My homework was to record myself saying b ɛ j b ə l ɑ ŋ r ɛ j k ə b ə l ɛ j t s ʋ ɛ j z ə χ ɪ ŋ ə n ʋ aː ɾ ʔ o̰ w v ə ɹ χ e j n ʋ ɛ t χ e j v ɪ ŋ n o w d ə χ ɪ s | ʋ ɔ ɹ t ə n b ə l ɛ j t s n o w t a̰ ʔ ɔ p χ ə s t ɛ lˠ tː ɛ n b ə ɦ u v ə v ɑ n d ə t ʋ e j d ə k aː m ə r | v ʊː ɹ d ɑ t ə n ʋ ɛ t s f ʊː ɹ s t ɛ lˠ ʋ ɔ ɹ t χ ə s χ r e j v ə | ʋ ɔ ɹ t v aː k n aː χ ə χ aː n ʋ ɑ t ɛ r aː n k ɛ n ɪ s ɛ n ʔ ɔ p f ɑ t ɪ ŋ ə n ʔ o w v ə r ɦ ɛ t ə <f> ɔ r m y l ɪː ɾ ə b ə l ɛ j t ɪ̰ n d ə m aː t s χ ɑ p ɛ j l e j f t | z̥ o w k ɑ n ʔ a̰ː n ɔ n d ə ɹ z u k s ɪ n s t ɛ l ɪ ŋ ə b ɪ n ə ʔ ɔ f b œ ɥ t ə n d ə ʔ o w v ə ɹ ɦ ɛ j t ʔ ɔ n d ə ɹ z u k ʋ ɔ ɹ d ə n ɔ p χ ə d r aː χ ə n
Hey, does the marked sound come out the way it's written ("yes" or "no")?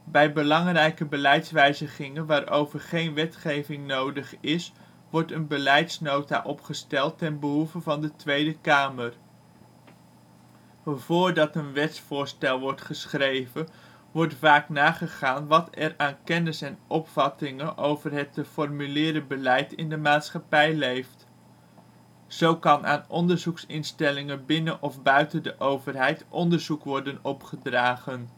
yes